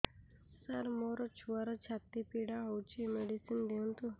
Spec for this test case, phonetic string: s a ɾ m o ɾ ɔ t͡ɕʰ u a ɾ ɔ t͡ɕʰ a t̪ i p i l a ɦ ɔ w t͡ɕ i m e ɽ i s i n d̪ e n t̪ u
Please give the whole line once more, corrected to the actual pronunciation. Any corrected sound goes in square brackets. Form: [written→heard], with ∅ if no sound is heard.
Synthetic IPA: s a ɾ m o ɾ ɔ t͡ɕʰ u a ɾ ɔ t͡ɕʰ a t̪ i p i [l→ɽ] a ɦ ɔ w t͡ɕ i m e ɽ i s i n d̪ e n t̪ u